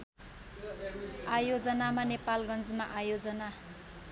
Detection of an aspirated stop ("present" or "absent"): absent